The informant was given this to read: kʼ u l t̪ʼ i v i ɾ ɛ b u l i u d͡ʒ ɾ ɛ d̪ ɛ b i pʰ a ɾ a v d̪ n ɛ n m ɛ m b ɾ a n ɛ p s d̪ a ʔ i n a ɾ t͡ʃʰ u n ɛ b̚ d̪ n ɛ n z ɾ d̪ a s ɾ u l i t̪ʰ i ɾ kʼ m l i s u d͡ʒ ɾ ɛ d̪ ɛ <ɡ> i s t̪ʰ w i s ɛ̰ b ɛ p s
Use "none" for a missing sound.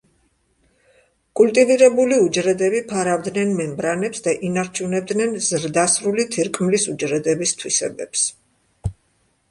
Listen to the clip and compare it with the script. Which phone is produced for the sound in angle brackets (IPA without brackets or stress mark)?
b